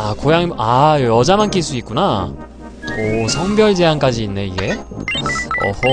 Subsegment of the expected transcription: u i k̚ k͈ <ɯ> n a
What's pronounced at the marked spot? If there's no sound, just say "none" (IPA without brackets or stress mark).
u